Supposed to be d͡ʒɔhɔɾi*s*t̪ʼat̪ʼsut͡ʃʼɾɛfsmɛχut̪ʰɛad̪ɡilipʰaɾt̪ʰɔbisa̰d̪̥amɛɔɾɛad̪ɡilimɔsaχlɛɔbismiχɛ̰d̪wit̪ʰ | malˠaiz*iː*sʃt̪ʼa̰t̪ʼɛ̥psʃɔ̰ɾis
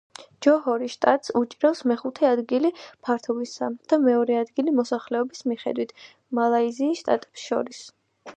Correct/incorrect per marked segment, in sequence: incorrect, correct

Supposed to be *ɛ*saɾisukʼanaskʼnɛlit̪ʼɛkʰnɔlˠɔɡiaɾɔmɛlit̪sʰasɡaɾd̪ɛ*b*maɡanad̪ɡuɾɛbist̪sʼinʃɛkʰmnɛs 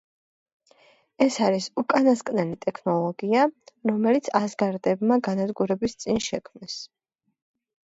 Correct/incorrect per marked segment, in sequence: correct, correct

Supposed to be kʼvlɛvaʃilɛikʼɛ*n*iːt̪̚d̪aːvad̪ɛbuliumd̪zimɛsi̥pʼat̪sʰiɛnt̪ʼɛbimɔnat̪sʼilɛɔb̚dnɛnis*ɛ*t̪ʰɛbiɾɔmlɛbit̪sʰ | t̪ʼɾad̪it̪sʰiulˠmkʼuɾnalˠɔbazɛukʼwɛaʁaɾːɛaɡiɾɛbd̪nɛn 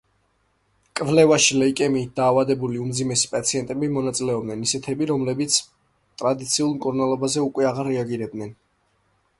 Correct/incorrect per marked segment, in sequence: incorrect, correct

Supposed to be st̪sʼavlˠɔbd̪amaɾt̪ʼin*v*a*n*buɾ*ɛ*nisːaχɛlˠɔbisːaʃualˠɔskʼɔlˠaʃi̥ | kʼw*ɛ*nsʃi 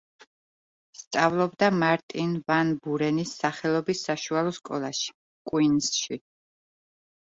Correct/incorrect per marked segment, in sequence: correct, correct, correct, incorrect

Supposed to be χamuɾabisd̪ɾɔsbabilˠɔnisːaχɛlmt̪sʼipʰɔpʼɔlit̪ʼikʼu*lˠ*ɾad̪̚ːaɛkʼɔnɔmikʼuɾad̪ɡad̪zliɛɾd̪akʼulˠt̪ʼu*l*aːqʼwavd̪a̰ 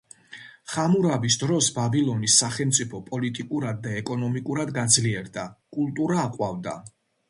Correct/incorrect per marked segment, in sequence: incorrect, incorrect

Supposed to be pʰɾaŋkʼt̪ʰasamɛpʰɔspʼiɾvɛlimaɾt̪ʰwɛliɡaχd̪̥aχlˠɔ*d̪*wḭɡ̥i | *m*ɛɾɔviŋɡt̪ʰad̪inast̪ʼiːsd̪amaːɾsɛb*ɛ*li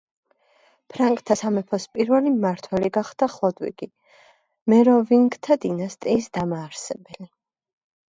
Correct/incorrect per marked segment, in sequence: correct, correct, correct

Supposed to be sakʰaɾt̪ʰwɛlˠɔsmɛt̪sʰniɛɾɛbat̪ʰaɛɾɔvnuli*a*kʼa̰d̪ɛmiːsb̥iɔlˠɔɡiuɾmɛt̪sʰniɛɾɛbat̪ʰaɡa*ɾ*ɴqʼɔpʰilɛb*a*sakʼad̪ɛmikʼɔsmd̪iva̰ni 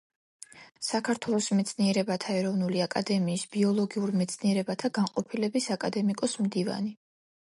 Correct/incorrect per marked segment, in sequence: correct, incorrect, incorrect

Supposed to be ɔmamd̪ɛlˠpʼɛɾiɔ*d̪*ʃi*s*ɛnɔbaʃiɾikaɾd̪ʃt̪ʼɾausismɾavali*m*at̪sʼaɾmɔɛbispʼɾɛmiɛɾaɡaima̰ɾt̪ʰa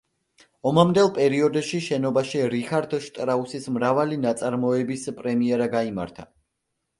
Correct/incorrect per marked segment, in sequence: correct, incorrect, incorrect

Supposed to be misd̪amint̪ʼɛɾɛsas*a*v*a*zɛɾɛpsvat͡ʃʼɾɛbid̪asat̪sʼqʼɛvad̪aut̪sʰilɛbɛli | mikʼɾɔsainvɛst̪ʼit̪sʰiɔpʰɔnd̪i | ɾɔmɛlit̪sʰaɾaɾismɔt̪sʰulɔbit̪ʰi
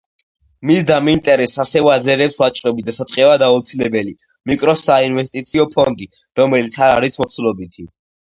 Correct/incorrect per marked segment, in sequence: incorrect, correct

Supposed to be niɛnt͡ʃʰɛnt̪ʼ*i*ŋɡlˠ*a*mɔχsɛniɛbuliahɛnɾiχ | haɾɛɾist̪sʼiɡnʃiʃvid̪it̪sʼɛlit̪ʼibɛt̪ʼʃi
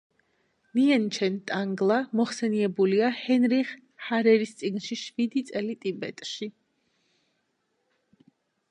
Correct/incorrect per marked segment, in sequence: incorrect, correct

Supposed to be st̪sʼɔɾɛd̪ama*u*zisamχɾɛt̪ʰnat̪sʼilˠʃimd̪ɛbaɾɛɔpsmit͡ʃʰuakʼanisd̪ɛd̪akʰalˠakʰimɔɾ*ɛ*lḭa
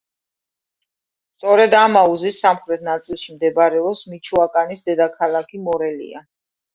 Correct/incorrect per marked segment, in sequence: correct, correct

